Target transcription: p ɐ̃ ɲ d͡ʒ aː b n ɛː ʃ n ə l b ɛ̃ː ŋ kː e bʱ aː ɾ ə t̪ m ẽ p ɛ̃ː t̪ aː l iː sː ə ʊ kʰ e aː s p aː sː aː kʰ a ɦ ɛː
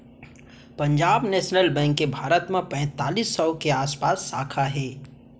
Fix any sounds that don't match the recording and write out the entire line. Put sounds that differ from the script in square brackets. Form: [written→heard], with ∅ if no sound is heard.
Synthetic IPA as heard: p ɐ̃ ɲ d͡ʒ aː b n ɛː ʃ n ə l b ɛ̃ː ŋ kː e bʱ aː ɾ ə t̪ m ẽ p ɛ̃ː t̪ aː l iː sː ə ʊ [kʰ→k] e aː s p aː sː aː kʰ a ɦ ɛː